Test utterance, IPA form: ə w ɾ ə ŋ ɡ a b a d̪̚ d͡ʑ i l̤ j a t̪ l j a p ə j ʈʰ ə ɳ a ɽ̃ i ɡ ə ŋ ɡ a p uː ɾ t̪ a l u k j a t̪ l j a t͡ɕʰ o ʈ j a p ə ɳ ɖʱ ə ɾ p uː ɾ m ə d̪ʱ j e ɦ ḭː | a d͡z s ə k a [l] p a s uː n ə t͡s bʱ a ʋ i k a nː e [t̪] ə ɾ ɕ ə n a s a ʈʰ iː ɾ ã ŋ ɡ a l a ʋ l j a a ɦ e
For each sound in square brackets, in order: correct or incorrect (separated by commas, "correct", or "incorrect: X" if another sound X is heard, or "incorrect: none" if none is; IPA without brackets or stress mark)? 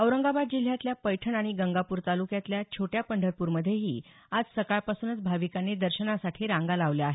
incorrect: ɭ, incorrect: d̪